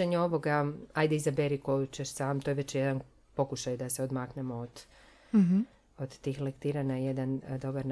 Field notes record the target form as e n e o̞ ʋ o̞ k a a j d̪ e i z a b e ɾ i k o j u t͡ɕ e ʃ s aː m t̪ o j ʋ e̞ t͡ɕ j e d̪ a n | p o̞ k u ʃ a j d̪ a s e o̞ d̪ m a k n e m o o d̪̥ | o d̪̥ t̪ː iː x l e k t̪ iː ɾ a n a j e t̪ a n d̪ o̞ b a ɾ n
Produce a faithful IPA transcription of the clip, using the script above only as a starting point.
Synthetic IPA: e ɲ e o̞ ʋ o̞ ɡ a a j d̪ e i z a b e ɾ i k o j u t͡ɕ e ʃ s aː m t̪ o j ʋ e̞ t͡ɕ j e d̪ a n | p o̞ k u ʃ a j d̪ a s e o̞ d̪ m a k n e m o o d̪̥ | o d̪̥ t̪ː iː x l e k t̪ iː ɾ a n a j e d̪ a n d̪ o̞ b a ɾ n